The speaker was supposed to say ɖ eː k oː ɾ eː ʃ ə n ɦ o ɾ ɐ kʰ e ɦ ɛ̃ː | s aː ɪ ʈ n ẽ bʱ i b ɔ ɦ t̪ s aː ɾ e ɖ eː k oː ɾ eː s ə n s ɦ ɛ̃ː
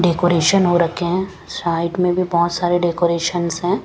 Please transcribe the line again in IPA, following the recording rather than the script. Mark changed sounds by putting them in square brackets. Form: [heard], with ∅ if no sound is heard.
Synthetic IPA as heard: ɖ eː k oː ɾ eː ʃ ə n ɦ o ɾ ɐ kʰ e ɦ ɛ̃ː | s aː ɪ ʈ [m] ẽ bʱ i b ɔ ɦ t̪ s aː ɾ e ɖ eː k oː ɾ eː [ʃ] ə n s ɦ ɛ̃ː